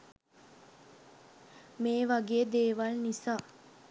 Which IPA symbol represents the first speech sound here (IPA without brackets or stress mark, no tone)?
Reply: m